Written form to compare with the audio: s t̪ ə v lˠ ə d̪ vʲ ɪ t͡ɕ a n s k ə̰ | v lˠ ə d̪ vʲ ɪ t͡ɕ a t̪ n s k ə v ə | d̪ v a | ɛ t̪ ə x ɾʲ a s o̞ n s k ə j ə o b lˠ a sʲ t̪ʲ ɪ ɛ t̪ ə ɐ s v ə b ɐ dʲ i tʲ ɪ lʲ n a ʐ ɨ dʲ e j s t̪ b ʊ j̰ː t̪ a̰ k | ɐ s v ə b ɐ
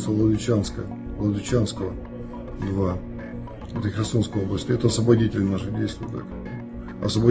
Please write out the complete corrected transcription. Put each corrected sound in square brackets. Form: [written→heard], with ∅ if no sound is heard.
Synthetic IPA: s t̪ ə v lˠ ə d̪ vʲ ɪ t͡ɕ a n s k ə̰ | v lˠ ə d̪ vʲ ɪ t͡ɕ a [t̪→∅] n s k ə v ə | d̪ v a | ɛ t̪ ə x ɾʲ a s o̞ n s k ə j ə o b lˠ [a→ə] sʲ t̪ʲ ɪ ɛ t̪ ə ɐ s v ə b ɐ dʲ i tʲ ɪ lʲ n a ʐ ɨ dʲ e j s t̪ [b→v] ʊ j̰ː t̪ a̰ k | ɐ s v ə b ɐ